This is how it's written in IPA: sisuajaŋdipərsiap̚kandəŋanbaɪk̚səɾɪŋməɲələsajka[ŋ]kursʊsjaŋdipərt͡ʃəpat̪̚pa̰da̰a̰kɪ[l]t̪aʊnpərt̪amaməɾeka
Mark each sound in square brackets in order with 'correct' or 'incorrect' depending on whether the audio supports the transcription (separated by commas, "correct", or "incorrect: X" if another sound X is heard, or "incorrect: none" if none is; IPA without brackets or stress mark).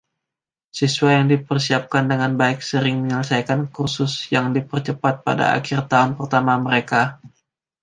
incorrect: n, incorrect: r